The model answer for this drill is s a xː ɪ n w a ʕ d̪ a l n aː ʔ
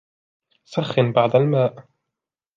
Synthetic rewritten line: s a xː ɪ n b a ʕ d̪ a l m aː ʔ